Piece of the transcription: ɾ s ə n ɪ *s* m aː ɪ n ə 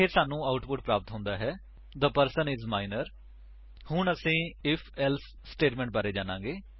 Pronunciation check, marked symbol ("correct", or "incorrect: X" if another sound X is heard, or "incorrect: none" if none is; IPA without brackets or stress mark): incorrect: z